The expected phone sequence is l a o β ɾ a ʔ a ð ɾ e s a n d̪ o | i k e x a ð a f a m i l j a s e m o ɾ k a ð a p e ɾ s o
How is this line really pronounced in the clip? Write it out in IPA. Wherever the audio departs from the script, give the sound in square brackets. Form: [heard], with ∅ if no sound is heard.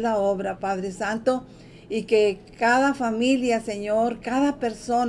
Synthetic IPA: l a o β ɾ a [p] a ð ɾ e s a n [t̪] o | i k e [k] a ð a f a m i l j a s e [ɲ] o ɾ k a ð a p e ɾ s o